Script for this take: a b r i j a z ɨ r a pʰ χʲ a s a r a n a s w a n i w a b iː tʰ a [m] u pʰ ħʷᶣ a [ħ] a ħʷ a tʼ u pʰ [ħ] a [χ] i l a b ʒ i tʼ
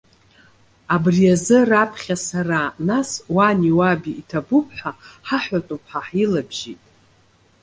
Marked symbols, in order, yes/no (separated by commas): no, yes, yes, no